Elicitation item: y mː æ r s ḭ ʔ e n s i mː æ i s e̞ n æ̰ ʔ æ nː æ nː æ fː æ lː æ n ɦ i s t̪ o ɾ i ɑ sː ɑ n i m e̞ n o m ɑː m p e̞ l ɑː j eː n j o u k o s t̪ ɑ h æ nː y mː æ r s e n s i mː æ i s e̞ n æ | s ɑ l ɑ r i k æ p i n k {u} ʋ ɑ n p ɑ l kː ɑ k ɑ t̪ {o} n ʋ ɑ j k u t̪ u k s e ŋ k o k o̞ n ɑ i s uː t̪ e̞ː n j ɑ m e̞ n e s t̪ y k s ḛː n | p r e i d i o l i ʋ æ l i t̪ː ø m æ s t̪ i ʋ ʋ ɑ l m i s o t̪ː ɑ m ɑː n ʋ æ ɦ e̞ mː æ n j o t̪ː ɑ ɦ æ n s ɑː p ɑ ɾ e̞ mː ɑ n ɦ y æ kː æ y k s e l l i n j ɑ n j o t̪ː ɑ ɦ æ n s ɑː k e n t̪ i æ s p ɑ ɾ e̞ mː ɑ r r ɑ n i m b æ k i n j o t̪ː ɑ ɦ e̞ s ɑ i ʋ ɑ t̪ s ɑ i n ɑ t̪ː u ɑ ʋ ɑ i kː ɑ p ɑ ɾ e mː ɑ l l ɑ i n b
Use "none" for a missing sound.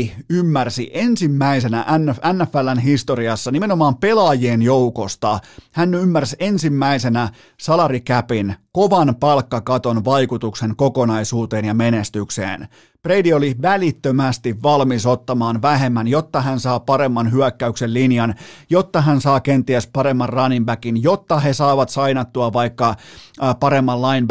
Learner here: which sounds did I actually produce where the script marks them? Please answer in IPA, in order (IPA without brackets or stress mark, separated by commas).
o, o